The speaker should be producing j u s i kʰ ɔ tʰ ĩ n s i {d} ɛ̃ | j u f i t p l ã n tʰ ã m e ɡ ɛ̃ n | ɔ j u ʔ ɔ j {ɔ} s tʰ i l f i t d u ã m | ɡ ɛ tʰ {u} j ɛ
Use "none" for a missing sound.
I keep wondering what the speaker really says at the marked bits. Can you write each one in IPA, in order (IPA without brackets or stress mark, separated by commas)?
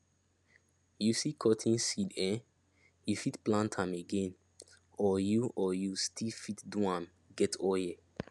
d, u, ɔ